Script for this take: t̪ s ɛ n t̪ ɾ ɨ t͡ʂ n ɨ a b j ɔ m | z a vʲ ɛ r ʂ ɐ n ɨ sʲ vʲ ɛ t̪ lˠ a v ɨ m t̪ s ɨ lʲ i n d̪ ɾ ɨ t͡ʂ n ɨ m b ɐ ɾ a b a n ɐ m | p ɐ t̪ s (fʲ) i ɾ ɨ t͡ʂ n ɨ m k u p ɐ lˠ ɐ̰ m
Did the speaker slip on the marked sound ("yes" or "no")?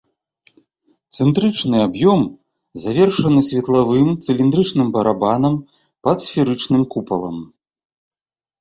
no